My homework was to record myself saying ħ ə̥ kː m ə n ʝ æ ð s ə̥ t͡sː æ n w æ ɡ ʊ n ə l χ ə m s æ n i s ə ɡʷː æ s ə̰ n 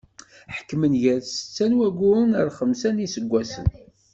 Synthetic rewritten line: ħ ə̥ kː m ə n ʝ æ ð s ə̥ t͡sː æ n w æ ɡ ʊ n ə ɾ χ ə m s æ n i s ə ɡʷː æ s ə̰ n